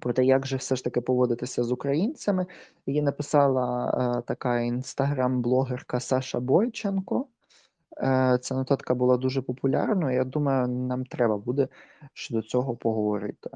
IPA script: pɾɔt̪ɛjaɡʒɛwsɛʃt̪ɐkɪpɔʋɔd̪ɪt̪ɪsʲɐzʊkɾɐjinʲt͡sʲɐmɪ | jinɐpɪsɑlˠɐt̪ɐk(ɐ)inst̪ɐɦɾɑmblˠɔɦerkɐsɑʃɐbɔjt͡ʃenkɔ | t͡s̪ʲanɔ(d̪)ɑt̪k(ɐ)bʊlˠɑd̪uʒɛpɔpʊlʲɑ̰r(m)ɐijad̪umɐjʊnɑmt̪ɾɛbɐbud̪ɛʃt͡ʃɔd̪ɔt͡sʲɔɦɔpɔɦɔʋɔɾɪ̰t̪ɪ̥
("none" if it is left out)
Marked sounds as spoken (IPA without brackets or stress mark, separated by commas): ɑ, t̪, ɐ, n